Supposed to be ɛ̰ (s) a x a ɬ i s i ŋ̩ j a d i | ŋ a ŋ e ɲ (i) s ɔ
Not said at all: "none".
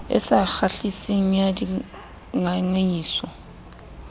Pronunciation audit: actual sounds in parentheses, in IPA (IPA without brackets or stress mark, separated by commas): s, iː